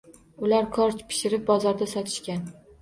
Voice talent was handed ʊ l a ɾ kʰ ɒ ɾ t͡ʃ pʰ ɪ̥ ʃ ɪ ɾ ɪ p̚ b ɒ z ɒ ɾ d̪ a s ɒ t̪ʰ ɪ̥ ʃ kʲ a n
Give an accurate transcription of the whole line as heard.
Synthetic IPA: ʊ l a ɾ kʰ ɒ ɾ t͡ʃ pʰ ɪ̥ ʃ ɪ ɾ ɪ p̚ b ɒ z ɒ ɾ d̪ a s ɒ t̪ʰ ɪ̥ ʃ kʲ a n